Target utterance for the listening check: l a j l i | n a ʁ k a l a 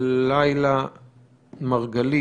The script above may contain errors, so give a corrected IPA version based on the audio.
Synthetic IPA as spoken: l a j l a | m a ʁ ɡ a l i